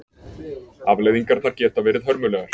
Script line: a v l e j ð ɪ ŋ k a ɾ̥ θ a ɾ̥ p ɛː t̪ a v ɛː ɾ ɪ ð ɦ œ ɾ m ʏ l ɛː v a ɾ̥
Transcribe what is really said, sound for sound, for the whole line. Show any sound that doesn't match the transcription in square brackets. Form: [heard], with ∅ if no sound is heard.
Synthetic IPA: a v l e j ð [i] ŋ k a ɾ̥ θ a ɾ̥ [c] ɛː t̪ a v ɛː ɾ ɪ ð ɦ œ ɾ m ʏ l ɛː [ɣ] a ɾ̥

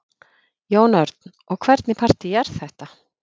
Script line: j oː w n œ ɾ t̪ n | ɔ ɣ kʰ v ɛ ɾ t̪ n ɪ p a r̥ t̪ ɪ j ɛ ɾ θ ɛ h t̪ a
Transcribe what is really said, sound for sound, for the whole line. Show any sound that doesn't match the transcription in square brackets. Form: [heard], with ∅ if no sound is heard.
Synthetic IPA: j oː w n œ ɾ t̪ n | ɔ ɣ kʰ v ɛ ɾ t̪ n ɪ [pʰ] a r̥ t̪ ɪ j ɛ ɾ θ ɛ h t̪ a

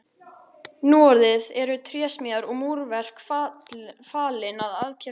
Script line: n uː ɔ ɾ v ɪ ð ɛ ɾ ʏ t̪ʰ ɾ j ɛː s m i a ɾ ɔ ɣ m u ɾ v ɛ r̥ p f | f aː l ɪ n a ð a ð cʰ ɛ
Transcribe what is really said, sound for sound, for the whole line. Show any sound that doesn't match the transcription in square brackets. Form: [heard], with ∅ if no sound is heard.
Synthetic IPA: n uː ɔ ɾ [ð] ɪ ð ɛ ɾ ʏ t̪ʰ ɾ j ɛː s m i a ɾ ɔ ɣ m u ɾ v ɛ r̥ [k] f | f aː l ɪ n a ð a ð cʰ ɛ

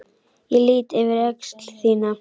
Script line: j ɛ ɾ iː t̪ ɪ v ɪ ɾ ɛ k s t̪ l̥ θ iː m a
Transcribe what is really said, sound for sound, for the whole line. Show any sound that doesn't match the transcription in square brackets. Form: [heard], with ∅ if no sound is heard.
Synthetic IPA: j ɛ [l] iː t̪ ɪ v ɪ ɾ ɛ k s t̪ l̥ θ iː [n] a

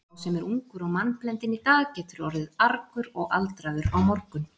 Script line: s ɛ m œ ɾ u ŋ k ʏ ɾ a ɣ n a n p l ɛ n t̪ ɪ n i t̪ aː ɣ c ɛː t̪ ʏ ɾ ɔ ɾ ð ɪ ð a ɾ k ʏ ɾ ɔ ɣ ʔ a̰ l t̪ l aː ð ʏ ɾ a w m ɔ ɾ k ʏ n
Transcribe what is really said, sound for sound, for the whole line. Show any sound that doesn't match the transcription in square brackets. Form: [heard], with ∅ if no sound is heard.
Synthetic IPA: s ɛ m [ɛ] ɾ u ŋ k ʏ ɾ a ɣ [m] a n p l ɛ n t̪ ɪ n i t̪ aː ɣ c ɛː t̪ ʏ ɾ ɔ ɾ ð ɪ ð a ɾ k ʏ ɾ ɔ ɣ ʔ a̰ l t̪ [ɾ] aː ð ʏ ɾ a w m ɔ ɾ k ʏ n

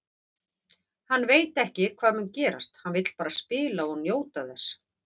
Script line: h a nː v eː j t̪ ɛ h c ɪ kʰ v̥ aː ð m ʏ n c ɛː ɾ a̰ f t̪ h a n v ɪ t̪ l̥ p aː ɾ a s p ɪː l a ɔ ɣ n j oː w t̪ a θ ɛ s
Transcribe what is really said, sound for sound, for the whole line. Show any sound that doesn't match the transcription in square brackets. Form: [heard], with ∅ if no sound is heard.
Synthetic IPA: h a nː v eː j t̪ ɛ h c ɪ kʰ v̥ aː ð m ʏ n c ɛː ɾ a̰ [s] t̪ h a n v ɪ t̪ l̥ p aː ɾ a s p ɪː l a ɔ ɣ n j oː w t̪ a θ ɛ s

